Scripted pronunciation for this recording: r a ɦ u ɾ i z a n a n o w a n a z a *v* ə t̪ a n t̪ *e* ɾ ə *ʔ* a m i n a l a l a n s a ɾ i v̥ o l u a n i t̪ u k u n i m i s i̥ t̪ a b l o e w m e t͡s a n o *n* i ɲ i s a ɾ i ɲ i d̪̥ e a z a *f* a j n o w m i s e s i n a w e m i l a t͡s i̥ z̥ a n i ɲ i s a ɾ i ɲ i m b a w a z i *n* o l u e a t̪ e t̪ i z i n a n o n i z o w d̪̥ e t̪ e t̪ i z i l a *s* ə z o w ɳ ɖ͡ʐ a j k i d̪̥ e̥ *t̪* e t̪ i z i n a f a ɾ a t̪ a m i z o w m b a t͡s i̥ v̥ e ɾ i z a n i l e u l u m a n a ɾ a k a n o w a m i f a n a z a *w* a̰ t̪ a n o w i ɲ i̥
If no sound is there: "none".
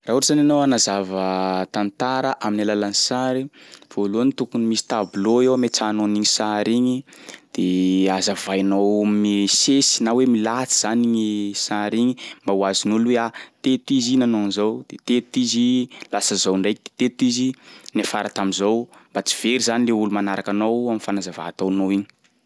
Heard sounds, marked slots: v, a, ʔ, n, v, n, s, t̪, v

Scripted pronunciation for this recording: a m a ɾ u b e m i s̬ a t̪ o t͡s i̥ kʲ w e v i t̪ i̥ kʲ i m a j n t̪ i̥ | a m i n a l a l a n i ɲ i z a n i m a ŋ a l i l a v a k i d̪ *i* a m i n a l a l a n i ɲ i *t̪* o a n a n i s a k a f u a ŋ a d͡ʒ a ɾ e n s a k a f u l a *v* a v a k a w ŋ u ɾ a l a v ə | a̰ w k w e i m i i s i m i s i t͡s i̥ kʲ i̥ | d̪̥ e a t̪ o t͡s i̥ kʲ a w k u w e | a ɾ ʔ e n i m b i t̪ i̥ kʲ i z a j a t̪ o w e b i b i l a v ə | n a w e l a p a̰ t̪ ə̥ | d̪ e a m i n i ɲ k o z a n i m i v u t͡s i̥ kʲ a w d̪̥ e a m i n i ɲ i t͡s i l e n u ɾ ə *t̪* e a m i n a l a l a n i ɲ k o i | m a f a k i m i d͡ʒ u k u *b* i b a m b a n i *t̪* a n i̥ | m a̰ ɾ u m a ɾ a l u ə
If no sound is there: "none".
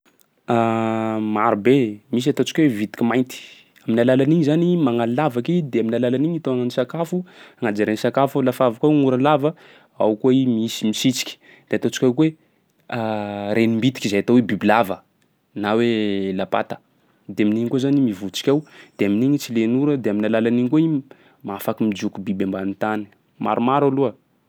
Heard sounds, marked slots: e, t̪, f, d̪, b, t̪

